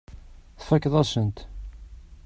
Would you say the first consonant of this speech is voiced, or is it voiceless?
voiceless